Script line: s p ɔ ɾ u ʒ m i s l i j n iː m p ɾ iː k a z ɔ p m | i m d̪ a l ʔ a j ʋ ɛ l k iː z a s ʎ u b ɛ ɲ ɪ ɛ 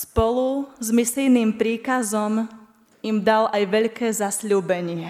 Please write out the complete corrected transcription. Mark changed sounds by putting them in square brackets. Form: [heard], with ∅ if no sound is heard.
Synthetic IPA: s p ɔ [l] u [z] m i s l i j n iː m p ɾ iː k a z ɔ [∅] m | i m d̪ a l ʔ a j ʋ ɛ [ʎ] k [ɛː] z a s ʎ [uː] b ɛ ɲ ɪ ɛ